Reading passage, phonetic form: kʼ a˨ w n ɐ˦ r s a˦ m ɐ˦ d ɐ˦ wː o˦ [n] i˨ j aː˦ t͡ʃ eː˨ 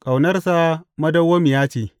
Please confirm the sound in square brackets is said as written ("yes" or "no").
no